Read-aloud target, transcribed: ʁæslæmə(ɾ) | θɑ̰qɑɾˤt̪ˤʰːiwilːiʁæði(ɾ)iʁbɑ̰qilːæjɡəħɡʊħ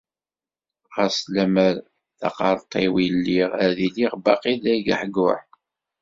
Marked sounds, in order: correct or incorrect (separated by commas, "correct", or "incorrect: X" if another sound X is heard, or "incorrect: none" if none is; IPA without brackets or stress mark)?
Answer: correct, incorrect: l